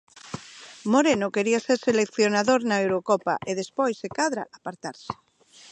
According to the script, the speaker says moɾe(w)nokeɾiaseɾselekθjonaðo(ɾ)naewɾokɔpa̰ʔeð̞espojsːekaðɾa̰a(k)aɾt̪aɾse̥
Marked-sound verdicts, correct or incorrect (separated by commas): incorrect, correct, incorrect